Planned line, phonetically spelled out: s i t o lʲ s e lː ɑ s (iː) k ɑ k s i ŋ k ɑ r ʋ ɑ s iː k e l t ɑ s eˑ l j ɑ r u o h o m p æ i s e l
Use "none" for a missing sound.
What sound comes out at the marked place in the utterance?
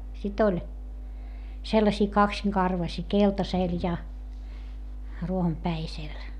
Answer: iː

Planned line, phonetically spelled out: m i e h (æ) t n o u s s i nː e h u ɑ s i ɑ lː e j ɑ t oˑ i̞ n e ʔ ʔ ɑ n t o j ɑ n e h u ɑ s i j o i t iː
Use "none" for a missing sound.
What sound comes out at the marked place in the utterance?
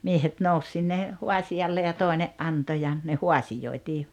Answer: e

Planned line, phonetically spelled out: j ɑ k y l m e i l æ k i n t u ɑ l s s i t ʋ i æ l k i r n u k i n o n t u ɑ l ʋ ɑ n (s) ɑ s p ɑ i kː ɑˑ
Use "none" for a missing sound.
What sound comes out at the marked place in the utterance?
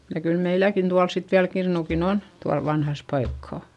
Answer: h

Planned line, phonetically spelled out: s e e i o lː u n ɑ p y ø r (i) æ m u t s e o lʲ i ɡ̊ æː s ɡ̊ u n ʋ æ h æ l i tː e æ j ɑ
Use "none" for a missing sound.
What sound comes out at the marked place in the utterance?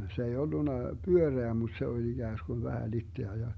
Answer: e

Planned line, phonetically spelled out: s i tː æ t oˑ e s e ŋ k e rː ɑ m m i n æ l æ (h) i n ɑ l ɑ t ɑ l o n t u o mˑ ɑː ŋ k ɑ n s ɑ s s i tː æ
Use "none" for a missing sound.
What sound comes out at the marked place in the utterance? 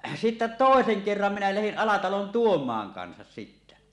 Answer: h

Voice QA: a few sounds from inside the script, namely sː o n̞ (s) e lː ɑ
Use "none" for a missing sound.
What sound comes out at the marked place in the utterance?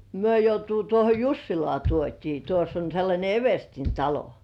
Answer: s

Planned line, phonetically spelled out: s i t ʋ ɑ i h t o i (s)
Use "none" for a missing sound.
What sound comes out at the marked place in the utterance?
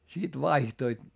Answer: t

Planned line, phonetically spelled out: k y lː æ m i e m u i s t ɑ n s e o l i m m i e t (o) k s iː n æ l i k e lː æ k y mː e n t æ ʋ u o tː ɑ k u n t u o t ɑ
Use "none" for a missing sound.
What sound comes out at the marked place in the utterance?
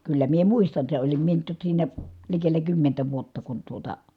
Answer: o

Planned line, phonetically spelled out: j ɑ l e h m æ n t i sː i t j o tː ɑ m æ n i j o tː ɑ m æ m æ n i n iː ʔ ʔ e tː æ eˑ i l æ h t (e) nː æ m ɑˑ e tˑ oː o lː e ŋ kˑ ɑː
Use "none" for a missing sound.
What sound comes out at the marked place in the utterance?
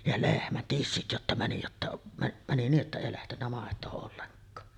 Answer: e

